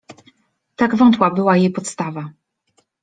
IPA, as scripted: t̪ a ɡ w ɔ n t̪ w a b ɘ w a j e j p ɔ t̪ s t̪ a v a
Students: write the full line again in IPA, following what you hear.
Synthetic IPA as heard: t̪ a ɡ v ɔ n t̪ w a b ɘ w a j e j p ɔ t̪ s t̪ a v a